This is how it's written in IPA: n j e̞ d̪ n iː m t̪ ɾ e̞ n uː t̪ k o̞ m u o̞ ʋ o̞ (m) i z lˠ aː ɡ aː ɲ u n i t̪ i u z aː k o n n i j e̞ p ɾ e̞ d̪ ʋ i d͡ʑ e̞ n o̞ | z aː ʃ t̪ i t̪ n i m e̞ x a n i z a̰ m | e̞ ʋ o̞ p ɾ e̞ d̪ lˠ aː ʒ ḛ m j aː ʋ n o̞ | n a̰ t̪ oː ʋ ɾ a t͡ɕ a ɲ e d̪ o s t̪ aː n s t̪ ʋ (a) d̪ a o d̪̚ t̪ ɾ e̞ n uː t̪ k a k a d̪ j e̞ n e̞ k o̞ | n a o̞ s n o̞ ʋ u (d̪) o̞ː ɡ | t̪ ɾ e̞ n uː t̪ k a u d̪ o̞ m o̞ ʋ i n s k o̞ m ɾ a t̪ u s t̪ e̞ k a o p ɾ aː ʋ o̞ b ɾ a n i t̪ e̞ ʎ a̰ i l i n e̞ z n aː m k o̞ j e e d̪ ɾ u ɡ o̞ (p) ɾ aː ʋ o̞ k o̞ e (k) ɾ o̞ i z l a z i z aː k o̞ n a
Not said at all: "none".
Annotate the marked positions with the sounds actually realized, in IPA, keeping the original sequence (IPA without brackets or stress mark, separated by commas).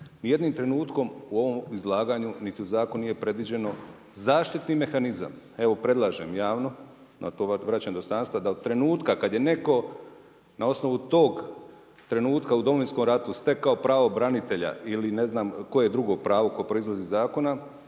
m, a, t̪, p, p